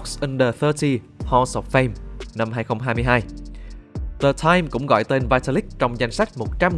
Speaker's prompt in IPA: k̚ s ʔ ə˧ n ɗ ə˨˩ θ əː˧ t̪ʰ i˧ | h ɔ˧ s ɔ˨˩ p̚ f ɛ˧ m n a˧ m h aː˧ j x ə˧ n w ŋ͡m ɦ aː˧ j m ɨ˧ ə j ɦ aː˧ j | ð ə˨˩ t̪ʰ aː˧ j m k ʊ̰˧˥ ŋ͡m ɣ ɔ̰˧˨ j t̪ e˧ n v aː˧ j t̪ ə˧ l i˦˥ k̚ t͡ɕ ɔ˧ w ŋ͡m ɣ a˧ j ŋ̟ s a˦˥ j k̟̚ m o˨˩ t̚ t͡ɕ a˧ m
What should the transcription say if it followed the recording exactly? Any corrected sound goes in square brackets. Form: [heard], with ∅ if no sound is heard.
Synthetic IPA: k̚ s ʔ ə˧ n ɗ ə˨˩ θ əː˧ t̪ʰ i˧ | h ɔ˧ s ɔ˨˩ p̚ f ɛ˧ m n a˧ m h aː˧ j x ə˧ [∅] w ŋ͡m ɦ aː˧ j m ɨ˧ ə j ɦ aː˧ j | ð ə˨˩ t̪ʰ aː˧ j m k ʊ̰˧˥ ŋ͡m ɣ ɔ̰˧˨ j t̪ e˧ n v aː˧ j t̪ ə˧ l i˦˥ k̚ t͡ɕ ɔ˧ w ŋ͡m [z] a˧ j ŋ̟ s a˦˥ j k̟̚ m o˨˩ t̚ t͡ɕ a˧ m